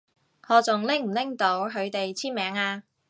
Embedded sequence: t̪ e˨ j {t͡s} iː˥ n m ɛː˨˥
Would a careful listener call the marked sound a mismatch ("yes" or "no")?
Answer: yes